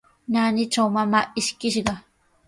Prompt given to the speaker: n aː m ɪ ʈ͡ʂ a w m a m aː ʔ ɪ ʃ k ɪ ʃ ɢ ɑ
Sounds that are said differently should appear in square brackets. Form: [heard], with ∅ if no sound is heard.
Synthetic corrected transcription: n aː [n] ɪ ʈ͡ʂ a w m a m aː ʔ ɪ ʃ k ɪ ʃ ɢ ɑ